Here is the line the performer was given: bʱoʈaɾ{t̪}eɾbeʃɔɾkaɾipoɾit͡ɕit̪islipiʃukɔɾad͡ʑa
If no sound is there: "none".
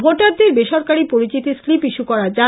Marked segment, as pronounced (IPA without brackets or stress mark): d̪